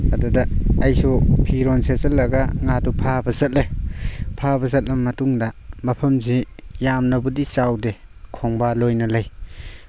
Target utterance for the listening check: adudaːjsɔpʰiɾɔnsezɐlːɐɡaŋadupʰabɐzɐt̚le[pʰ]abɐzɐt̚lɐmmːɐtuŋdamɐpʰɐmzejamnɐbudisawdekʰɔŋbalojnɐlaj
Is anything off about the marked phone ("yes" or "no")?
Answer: no